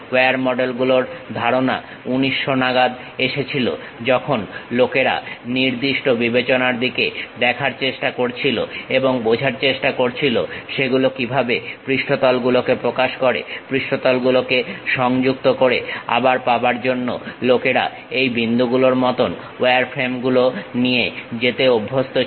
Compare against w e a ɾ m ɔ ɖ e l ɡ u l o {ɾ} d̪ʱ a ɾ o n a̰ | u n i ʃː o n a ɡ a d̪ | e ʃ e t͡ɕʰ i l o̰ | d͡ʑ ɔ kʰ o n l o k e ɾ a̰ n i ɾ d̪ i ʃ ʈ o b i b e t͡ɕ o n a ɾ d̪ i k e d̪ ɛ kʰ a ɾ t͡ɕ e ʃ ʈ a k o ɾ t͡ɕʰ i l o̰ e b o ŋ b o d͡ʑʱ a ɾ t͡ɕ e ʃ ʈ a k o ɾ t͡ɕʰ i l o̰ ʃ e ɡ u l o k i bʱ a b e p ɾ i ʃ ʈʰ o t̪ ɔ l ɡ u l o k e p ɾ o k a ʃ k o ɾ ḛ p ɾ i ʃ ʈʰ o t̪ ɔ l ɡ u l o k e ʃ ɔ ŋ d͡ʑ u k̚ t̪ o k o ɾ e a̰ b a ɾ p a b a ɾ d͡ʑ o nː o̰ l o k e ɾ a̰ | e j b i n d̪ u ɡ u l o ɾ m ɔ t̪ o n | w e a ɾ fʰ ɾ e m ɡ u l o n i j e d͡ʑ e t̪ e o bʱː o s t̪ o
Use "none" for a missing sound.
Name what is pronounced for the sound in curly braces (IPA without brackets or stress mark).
ɾ